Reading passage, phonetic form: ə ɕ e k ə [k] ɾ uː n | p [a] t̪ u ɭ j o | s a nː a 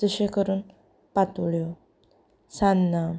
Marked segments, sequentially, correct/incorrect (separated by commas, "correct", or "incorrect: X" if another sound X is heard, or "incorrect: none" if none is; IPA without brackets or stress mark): incorrect: none, correct